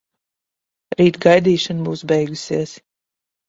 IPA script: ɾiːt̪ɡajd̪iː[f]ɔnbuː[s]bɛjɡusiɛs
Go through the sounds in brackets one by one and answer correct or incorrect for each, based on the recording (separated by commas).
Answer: incorrect, correct